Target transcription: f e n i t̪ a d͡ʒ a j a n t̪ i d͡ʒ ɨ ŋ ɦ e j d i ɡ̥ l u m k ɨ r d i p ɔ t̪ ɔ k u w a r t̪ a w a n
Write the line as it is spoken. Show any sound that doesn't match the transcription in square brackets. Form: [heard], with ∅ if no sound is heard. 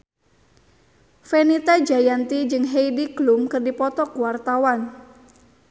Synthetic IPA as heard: f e n i t̪ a d͡ʒ a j a n t̪ i d͡ʒ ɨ ŋ ɦ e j d i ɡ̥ l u m k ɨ r d i p ɔ t̪ ɔ k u w a r t̪ a w a n

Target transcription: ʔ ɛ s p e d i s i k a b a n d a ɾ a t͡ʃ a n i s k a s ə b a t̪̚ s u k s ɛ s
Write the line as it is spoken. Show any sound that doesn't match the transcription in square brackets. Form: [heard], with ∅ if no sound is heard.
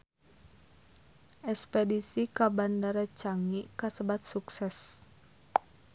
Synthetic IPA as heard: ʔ ɛ s p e d i s i k a b a n d a ɾ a t͡ʃ a [ŋ] i [∅] k a s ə b a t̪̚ s u k s ɛ s

